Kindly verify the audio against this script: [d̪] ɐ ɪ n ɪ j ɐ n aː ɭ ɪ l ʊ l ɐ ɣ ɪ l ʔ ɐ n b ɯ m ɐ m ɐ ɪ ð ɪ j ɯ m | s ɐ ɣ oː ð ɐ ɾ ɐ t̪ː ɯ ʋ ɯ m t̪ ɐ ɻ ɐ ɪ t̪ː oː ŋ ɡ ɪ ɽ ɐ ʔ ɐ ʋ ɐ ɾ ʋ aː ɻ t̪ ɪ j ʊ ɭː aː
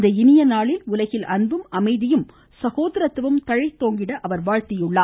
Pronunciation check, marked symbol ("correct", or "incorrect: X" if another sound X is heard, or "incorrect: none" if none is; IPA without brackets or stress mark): correct